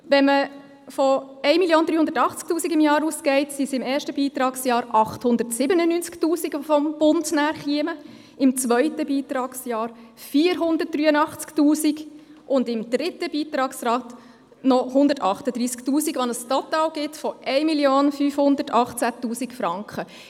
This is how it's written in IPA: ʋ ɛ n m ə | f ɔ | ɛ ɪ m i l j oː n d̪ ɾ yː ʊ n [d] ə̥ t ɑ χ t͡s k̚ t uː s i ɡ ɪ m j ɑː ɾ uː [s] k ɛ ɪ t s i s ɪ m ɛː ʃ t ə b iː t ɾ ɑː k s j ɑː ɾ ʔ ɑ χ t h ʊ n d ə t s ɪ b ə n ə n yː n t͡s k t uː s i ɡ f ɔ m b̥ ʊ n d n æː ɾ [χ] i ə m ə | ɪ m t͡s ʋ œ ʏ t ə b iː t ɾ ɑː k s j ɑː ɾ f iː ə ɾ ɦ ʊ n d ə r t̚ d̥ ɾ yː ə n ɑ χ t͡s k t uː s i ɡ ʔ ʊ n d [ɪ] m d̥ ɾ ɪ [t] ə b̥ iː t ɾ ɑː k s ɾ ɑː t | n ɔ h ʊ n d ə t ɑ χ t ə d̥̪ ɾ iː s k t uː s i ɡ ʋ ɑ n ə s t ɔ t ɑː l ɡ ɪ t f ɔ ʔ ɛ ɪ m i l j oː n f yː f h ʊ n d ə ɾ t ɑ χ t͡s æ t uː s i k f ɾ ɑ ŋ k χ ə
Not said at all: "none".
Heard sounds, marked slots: d, s, χ, ɪ, t

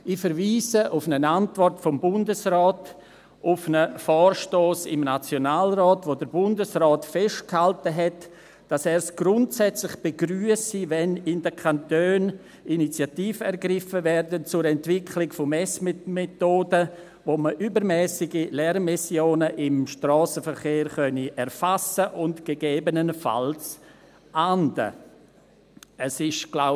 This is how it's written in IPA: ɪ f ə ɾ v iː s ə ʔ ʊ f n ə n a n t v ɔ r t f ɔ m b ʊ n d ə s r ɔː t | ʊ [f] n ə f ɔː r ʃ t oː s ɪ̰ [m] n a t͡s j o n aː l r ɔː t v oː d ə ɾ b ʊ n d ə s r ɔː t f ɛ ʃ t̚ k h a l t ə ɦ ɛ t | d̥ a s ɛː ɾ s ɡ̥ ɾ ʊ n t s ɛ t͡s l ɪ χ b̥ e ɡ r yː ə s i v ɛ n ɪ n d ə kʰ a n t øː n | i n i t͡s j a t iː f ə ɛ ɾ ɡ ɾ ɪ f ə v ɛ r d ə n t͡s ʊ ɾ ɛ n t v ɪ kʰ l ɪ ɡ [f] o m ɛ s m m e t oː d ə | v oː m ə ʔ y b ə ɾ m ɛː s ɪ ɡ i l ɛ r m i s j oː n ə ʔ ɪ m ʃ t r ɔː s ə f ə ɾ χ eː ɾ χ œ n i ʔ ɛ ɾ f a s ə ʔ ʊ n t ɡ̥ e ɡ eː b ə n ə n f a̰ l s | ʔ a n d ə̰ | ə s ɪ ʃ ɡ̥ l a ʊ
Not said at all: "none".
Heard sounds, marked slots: f, m, f

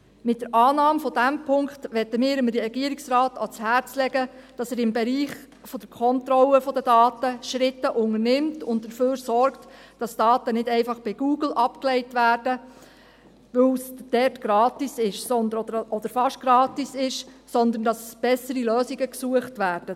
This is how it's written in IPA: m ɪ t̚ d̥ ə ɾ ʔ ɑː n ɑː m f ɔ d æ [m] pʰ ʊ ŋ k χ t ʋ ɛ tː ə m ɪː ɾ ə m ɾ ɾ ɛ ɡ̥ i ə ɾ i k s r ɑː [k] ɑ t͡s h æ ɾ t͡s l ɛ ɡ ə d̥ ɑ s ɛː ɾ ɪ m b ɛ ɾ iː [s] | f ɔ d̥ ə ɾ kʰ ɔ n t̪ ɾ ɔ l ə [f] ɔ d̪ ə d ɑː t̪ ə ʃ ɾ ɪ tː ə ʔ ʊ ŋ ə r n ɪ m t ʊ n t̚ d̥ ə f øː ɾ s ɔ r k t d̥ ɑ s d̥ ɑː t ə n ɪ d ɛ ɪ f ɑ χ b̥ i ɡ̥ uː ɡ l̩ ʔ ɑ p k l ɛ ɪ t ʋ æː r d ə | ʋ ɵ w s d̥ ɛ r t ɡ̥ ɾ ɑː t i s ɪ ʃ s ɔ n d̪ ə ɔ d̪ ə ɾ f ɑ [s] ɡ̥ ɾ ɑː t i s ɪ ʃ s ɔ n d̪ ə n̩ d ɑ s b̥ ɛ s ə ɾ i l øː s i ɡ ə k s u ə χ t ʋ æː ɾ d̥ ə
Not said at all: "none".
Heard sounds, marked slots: m, t, χ, f, ʃ

